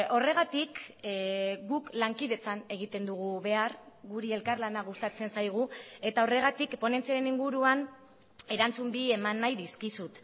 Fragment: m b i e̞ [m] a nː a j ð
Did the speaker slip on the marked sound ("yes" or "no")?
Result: no